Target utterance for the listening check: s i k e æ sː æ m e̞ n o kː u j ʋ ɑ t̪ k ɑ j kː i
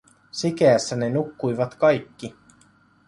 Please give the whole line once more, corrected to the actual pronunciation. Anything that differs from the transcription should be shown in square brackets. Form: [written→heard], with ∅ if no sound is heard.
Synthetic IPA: s i k e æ sː æ [m→n] e̞ n [o→u] kː u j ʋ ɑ t̪ k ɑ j kː i